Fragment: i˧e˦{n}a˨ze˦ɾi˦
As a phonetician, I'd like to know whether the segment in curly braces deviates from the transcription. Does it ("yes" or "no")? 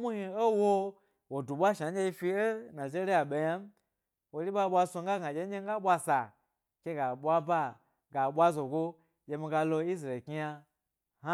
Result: no